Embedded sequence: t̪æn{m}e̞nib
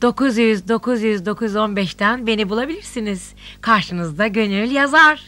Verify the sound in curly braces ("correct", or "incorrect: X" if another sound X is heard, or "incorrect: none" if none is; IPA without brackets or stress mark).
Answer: incorrect: b